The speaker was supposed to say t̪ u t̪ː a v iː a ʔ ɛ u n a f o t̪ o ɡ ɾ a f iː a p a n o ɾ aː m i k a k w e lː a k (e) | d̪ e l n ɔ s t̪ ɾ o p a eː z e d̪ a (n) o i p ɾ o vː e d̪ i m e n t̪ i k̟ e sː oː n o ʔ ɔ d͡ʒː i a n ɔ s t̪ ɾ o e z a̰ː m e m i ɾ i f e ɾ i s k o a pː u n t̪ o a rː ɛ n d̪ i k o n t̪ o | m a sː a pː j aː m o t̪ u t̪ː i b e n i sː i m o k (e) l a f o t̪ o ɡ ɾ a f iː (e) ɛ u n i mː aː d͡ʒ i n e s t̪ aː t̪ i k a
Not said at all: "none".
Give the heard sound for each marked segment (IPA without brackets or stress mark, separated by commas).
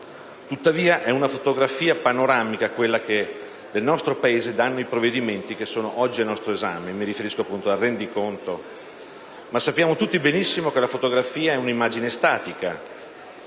e, nː, e, a